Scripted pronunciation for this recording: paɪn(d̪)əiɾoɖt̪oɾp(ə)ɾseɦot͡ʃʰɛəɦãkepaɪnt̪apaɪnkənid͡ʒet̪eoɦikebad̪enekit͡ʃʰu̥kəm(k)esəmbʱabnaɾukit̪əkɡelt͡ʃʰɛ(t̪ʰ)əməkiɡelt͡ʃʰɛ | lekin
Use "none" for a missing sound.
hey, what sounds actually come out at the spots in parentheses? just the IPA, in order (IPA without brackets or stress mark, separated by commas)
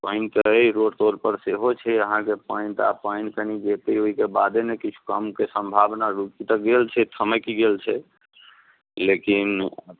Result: t̪, ə, k, t̪ʰ